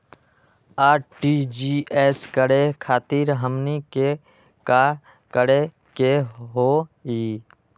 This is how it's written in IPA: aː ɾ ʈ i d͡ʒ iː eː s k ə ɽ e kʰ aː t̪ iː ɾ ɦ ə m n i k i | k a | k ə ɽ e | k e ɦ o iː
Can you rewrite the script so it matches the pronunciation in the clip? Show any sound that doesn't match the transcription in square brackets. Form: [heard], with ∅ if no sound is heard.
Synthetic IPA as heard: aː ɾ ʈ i d͡ʒ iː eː s k ə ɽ e kʰ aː t̪ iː ɾ ɦ ə m n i k [e] | k a | k ə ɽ e | k e ɦ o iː